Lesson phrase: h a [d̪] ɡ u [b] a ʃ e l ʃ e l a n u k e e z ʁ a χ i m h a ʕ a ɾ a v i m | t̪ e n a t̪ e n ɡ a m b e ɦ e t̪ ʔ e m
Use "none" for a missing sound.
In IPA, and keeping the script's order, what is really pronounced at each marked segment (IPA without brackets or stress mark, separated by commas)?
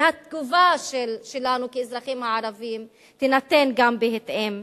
t̪, v